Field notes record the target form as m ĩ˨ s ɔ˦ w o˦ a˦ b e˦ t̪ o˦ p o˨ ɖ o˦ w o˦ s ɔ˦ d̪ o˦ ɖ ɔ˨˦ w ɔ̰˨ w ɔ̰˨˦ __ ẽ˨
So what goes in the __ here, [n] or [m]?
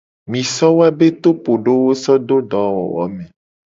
m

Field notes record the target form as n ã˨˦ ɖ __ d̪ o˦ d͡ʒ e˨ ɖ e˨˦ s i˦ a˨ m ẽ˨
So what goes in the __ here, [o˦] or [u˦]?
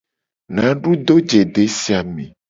u˦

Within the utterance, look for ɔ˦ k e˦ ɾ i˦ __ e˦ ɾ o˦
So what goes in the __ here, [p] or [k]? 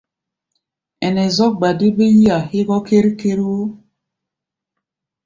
k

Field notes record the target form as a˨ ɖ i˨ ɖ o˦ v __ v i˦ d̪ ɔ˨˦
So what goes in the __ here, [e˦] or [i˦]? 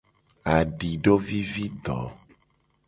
i˦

